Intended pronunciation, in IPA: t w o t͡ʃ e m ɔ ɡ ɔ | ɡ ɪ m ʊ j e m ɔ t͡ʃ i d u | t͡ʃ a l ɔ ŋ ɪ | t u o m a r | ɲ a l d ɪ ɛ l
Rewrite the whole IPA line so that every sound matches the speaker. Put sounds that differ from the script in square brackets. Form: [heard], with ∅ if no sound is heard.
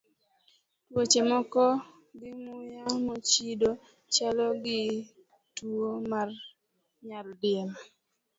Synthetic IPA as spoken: t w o t͡ʃ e m ɔ [k] ɔ | ɡ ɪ m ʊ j [a] m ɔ t͡ʃ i d [o] | t͡ʃ a l ɔ [ɡ] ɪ | t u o m a r | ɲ a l d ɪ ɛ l